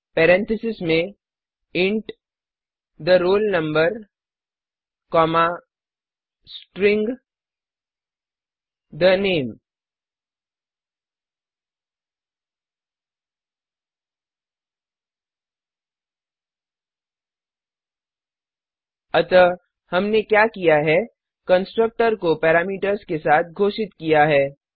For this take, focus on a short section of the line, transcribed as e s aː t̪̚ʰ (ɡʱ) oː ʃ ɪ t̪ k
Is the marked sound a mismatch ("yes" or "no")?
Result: no